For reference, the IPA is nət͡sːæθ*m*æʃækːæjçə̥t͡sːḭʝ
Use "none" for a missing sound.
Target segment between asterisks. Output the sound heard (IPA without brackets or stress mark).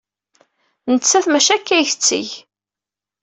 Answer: m